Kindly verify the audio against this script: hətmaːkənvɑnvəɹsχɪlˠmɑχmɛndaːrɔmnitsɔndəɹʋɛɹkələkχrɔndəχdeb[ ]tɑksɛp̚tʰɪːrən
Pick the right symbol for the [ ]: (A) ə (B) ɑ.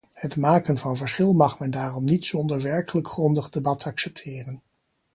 B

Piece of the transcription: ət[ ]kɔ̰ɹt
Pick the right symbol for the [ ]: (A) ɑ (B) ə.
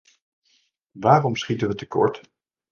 B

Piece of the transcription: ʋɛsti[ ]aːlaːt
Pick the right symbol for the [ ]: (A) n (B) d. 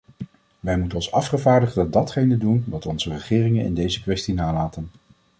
A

